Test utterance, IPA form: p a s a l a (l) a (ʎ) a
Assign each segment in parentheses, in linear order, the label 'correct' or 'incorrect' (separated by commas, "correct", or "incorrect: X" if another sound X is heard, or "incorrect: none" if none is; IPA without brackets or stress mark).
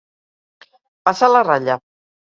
incorrect: r, correct